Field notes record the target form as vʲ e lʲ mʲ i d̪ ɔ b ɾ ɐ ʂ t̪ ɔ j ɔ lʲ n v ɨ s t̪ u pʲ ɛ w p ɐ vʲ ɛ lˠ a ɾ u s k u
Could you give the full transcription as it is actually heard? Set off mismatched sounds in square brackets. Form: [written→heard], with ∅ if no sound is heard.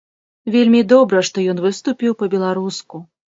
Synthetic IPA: vʲ e lʲ mʲ i d̪ ɔ b ɾ ɐ ʂ t̪ ɔ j ɔ [lʲ→∅] n v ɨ s t̪ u pʲ [ɛ→i] w p ɐ [vʲ→bʲ] ɛ lˠ a ɾ u s k u